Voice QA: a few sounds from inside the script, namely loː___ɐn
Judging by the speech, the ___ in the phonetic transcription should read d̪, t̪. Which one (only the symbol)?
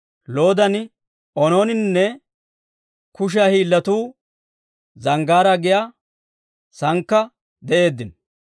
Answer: d̪